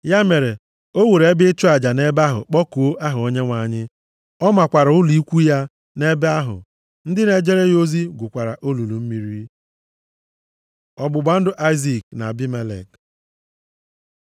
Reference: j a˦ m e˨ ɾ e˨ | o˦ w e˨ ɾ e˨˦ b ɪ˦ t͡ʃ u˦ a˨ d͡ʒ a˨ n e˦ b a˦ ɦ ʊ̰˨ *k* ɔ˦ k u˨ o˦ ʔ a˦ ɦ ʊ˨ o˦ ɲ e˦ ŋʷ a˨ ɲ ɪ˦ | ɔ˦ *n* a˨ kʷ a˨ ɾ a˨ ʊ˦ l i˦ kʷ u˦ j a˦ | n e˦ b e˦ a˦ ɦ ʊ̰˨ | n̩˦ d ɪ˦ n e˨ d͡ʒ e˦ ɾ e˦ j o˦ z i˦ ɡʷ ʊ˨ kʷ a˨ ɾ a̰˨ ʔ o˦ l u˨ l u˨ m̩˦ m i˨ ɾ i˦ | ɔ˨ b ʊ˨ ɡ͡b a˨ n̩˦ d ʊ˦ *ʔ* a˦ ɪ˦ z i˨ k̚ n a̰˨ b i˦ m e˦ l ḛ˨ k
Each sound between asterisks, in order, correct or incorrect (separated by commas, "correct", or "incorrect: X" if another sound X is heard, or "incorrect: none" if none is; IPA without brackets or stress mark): incorrect: k͡p, incorrect: m, correct